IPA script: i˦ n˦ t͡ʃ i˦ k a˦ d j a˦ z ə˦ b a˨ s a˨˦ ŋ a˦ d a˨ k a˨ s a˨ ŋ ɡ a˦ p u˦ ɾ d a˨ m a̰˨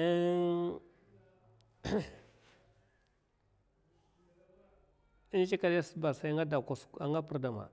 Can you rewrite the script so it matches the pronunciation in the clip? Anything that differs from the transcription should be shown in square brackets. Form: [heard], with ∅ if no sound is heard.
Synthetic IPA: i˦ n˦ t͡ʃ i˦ k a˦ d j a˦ [s] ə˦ b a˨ s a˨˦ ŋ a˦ d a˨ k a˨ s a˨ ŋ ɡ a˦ p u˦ ɾ d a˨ m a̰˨

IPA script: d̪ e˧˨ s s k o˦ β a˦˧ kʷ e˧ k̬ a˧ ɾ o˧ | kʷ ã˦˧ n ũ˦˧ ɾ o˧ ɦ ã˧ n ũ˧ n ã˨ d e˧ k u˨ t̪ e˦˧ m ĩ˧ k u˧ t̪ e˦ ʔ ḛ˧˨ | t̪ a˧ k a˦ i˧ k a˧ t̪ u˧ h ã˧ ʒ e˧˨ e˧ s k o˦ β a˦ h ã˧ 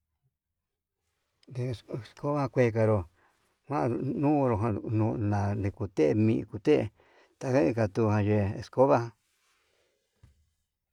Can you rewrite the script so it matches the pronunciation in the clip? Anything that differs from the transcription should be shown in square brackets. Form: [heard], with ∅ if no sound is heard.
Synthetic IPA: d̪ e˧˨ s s k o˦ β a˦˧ kʷ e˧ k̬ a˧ ɾ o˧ | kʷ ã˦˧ n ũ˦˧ ɾ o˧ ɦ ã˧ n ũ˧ n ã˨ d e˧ k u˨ t̪ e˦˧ m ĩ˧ k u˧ t̪ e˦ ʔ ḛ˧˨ | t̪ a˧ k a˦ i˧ k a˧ t̪ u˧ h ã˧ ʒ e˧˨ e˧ s k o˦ β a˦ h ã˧

